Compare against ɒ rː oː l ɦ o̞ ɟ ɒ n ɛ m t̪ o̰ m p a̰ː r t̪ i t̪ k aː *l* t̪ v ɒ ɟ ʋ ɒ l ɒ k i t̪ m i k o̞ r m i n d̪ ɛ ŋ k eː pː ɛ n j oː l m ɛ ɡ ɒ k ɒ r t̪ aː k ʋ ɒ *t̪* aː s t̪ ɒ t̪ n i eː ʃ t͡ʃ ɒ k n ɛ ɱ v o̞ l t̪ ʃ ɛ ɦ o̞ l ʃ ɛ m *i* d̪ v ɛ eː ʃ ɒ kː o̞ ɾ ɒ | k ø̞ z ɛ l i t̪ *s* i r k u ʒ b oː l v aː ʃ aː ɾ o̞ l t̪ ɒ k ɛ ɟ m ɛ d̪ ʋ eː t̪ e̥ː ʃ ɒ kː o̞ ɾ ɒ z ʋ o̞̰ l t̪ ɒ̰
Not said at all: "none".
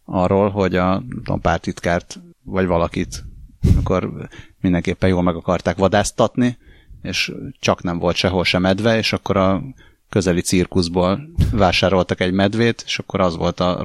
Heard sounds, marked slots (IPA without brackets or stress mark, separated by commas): r, d̪, ɛ, s